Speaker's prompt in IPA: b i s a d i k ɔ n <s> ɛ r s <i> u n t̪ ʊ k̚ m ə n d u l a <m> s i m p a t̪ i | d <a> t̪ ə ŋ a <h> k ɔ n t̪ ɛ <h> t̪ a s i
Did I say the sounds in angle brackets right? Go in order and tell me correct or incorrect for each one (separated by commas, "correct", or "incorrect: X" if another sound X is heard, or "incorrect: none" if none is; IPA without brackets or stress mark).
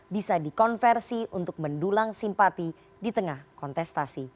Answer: incorrect: f, correct, incorrect: ŋ, incorrect: i, correct, incorrect: s